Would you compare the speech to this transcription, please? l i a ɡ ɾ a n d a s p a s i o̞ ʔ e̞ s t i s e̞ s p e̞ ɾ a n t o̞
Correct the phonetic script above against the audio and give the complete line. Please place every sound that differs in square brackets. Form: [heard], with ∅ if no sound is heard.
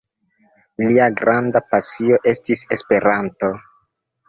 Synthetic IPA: l i a ɡ ɾ a n d a [∅] p a s i o̞ ʔ e̞ s t i s e̞ s p e̞ ɾ a n t o̞

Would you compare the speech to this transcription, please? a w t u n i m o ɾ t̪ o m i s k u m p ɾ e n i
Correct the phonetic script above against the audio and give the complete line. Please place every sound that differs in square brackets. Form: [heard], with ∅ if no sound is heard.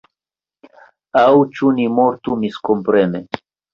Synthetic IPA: a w [t͡ʃ] u n i m o ɾ t̪ [u] m i s k [o] m p ɾ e n [e]

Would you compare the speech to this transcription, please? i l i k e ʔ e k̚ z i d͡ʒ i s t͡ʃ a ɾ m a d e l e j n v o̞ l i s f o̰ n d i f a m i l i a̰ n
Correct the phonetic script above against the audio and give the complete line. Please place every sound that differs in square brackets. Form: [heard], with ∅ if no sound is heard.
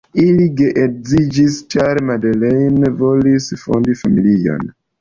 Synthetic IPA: i l i [ɡ] e ʔ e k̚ z i d͡ʒ i s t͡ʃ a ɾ m a d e l e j n v o̞ l i s f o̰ n d i f a m i l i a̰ n

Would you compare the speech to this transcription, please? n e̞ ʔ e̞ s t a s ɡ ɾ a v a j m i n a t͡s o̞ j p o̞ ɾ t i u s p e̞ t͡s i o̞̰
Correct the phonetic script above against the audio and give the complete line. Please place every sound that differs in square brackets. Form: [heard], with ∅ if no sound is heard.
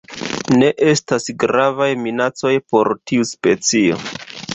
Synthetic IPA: n e̞ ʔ e̞ s t a s ɡ ɾ a v a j m i n a t͡s o̞ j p o̞ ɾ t i u s p e̞ t͡s i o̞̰

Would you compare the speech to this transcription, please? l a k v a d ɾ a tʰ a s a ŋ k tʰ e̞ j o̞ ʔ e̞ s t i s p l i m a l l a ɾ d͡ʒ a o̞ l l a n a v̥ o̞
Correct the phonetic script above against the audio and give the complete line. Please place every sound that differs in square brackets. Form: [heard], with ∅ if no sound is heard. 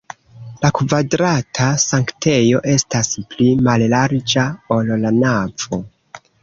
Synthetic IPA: l a k v a d ɾ a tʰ a s a ŋ k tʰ e̞ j o̞ ʔ e̞ s t [a] s p l i m a l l a ɾ d͡ʒ a o̞ l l a n a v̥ o̞

